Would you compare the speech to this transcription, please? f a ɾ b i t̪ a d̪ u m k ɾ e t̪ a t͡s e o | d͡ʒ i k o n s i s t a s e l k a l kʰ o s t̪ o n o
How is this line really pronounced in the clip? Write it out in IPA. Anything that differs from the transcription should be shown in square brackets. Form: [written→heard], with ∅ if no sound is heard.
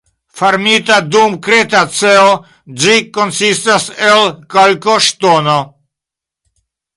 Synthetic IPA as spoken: f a ɾ [b→m] i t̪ a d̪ u m k ɾ e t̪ a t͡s e o | d͡ʒ i k o n s i s t a s e l k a l [kʰ→k] o [s→ʃ] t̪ o n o